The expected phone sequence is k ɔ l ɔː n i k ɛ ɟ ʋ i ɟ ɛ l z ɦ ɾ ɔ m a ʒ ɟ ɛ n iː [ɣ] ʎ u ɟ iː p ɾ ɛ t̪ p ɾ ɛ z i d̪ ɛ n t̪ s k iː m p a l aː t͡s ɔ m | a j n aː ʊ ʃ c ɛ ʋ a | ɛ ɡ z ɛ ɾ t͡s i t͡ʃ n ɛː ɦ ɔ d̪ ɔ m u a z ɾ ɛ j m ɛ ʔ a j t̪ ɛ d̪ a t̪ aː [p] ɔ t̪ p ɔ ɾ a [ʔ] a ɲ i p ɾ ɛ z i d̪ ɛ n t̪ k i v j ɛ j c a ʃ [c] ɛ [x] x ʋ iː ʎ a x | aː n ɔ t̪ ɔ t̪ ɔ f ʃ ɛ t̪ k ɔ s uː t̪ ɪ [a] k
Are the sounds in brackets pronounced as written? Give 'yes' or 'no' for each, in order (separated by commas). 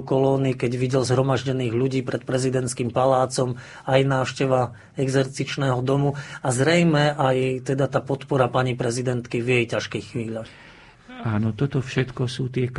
yes, yes, no, no, yes, no